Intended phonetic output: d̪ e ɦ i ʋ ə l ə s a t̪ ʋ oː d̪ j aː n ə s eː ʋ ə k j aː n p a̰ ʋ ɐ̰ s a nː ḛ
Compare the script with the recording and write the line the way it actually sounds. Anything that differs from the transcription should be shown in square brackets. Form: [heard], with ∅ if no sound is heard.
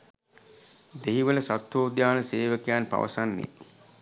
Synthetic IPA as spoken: d̪ e ɦ i ʋ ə l ə s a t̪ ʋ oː d̪ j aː n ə s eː ʋ ə k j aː n p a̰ ʋ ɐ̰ s a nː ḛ